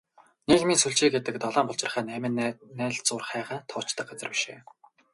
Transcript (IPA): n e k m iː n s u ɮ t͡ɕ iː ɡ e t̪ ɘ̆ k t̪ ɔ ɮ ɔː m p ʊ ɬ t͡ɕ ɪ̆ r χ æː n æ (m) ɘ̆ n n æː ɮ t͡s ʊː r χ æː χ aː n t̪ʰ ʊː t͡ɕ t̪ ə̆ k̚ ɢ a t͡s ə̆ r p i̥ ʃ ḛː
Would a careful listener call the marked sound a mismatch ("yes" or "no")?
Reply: no